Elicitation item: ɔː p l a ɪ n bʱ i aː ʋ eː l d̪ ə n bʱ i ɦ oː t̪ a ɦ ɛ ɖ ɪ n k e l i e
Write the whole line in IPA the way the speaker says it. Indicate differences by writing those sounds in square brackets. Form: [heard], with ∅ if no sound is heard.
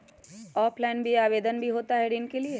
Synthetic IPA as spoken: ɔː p l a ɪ n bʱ i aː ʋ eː [∅] d̪ ə n bʱ i ɦ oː t̪ a ɦ ɛ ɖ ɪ n k e l i e